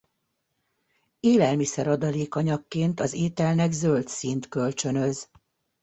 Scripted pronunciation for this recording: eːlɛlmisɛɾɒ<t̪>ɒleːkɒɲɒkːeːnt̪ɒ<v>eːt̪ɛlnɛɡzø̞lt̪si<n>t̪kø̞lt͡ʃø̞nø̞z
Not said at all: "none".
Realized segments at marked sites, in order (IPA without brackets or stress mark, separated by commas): d̪, z, n